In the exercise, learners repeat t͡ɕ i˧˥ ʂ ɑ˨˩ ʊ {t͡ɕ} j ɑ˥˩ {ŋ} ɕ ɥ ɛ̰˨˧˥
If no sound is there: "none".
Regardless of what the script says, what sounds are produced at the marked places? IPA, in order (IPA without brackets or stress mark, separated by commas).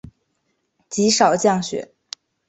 t͡ɕ, ŋ